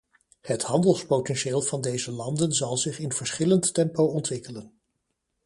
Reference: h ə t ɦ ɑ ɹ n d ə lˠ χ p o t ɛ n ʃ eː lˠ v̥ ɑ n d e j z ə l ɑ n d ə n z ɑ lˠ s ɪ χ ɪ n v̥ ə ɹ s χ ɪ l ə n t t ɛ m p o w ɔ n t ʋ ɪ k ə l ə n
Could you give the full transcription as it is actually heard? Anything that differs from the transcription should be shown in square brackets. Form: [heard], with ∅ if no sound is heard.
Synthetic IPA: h ə t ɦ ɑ [∅] n d ə lˠ [s] p o t ɛ n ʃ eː lˠ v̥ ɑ n d e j z ə l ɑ n d ə n z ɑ lˠ [z] ɪ χ ɪ n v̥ ə ɹ s χ ɪ l ə n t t ɛ m p o w ɔ n t ʋ ɪ k ə l ə n